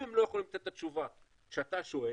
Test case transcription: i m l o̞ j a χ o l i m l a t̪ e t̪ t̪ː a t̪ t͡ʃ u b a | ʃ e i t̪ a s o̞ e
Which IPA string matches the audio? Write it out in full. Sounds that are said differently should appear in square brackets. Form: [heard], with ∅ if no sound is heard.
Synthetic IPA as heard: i m l o̞ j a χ o l i m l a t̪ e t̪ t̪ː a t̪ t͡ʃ u [v] a | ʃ e [a] t̪ a [ʃ] o̞ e